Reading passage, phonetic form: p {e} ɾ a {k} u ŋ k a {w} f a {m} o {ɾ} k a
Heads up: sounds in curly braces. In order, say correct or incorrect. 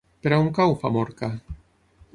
correct, incorrect: none, correct, correct, correct

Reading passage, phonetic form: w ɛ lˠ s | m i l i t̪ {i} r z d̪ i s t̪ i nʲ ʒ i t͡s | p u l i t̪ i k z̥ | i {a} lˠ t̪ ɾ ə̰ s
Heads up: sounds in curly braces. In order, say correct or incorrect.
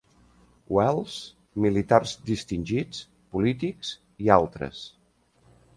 incorrect: a, correct

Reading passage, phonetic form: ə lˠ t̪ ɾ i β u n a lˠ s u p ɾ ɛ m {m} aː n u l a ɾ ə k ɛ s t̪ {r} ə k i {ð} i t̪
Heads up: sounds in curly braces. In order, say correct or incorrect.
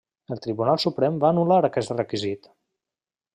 incorrect: b, correct, incorrect: z

